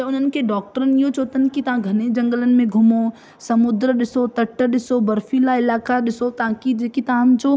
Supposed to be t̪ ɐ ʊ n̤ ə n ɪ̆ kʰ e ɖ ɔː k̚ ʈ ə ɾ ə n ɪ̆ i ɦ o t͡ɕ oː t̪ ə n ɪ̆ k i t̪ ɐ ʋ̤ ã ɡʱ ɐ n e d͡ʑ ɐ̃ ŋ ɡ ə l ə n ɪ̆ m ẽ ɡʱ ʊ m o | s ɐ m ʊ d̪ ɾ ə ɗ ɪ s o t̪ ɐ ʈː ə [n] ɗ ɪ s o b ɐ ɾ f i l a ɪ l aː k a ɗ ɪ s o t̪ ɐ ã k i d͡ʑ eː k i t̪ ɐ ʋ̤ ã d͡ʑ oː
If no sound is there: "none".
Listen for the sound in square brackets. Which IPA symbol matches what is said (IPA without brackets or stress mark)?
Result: none